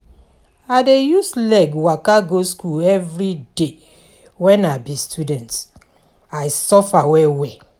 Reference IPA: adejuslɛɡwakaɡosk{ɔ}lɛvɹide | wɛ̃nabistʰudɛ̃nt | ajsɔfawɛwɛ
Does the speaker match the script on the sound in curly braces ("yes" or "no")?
no